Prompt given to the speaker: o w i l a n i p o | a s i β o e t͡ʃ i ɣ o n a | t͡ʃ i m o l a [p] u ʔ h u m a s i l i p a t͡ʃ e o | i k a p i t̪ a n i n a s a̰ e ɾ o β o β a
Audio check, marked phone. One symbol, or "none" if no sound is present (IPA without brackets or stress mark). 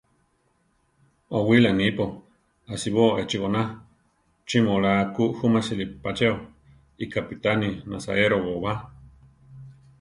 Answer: k